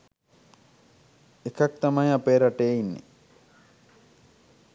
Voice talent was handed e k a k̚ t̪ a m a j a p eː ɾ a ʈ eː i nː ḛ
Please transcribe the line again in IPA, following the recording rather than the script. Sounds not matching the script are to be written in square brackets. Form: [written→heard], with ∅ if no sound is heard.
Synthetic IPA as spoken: e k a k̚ t̪ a m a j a p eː ɾ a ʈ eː i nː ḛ

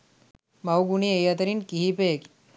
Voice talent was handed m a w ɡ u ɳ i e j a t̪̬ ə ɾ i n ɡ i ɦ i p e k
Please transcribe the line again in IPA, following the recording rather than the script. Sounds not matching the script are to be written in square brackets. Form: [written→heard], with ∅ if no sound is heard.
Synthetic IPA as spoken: m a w ɡ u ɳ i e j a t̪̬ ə ɾ i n [ɡ→k] i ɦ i p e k

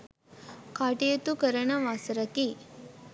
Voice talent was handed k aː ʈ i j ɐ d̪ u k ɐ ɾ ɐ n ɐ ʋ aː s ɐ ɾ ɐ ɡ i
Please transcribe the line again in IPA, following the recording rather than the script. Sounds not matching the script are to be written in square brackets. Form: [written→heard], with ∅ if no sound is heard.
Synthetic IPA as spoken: k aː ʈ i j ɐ [d̪→t̪] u k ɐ ɾ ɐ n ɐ ʋ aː s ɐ ɾ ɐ [ɡ→k] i

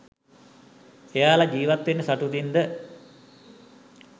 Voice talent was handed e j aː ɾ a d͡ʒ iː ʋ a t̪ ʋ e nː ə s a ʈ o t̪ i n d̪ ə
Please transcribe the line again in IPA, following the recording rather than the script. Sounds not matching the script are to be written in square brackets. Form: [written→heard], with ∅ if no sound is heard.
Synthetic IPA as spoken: e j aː [ɾ→l] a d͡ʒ iː ʋ a t̪ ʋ e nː ə s a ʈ [o→u] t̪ i n d̪ ə

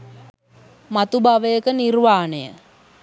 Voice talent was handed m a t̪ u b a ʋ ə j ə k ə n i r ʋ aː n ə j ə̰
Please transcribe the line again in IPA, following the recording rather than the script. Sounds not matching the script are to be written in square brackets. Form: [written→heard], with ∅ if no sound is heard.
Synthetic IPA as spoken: m a t̪ u b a ʋ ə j ə k ə n i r ʋ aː n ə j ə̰

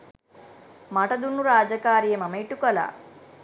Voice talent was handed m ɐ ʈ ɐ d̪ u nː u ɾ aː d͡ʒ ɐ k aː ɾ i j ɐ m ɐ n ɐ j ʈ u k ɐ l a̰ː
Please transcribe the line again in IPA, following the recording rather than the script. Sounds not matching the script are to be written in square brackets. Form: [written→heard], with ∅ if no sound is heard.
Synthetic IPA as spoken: m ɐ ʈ ɐ d̪ u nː u ɾ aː d͡ʒ ɐ k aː ɾ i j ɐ m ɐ [n→m] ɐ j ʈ u k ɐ l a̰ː

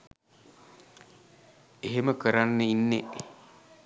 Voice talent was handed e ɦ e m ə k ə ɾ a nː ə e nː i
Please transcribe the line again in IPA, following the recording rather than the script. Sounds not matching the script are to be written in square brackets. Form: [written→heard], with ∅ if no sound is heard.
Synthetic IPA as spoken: e ɦ e m ə k ə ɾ a nː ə [e→i] nː [i→e]

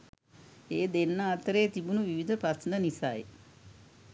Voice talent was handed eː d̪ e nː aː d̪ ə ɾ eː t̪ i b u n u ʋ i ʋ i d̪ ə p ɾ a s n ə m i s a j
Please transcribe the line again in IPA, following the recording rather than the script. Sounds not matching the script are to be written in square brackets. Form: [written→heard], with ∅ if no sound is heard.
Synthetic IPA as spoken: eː d̪ e nː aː [d̪→t̪] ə ɾ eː t̪ i b u n u ʋ i ʋ i d̪ ə p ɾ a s n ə [m→n] i s a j

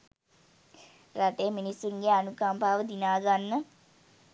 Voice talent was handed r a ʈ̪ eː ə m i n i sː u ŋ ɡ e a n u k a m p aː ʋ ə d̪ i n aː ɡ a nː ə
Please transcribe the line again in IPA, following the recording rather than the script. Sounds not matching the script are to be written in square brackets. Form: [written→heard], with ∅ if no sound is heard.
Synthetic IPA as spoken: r a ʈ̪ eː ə m i n i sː u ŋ ɡ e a n u k a m p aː ʋ ə d̪ i n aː ɡ a nː ə

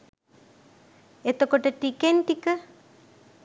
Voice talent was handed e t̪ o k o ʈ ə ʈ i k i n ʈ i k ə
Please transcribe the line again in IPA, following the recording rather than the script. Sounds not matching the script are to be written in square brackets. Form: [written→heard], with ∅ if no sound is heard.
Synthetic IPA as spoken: e t̪ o k o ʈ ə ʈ i k [i→e] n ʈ i k ə

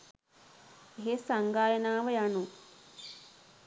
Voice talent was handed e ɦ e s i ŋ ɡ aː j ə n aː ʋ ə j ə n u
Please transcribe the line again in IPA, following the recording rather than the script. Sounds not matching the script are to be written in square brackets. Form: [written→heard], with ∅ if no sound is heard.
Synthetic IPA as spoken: e ɦ e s [i→a] ŋ ɡ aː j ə n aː ʋ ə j [ə→a] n u

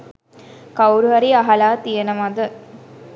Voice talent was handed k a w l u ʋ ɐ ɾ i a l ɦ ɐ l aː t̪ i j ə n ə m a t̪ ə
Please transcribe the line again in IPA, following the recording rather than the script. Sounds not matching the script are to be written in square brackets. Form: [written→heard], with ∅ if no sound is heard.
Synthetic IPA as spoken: k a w [l→ɾ] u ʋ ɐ ɾ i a [l→∅] ɦ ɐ l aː t̪ i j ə n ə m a [t̪→d̪] ə

